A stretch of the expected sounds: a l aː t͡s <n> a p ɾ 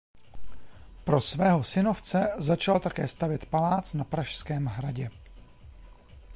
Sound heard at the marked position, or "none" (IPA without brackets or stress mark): n